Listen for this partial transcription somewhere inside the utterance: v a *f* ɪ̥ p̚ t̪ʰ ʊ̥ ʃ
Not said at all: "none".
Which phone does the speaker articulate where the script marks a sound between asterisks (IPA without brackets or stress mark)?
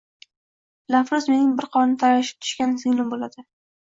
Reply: ʃ